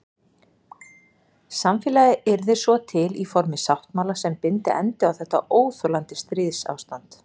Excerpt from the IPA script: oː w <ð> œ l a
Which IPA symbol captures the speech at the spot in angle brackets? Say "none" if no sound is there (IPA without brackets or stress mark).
θ